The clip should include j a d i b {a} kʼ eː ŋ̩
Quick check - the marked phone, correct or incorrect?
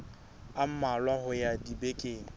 incorrect